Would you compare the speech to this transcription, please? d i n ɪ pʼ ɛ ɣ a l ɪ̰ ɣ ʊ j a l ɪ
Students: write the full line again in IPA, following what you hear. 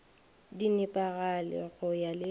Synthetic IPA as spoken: d i n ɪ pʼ a ɣ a l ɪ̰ ɣ ʊ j a l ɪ